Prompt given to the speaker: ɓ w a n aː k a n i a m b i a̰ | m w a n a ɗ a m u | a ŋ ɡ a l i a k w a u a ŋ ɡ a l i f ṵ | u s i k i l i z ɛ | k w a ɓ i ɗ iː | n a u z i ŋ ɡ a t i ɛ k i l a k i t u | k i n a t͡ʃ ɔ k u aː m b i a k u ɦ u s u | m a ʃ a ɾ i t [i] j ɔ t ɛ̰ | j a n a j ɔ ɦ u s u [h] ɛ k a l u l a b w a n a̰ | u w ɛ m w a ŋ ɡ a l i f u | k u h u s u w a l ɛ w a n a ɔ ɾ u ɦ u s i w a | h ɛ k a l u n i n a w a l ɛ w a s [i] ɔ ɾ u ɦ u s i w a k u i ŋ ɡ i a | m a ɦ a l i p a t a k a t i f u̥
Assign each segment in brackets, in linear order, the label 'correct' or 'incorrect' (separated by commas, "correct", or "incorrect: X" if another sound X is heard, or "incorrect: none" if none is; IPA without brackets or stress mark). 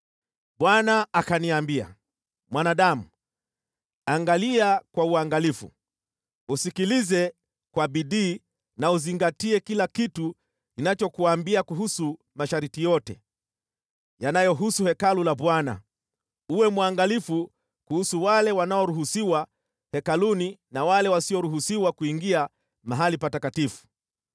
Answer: correct, correct, correct